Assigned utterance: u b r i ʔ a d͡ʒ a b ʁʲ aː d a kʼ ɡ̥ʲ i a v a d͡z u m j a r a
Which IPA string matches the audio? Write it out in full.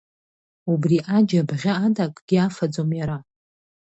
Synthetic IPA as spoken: u b r i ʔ a d͡ʒ a b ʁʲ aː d a kʼ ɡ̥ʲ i a f a d͡z o m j a ɾ a